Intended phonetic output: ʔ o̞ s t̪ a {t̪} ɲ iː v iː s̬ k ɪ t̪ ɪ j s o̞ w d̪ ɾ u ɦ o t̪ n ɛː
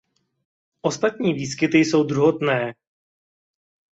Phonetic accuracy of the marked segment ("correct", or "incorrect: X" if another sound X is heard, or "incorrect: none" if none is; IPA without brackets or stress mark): correct